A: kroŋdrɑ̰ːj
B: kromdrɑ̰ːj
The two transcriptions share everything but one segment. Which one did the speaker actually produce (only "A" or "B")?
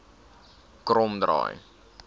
B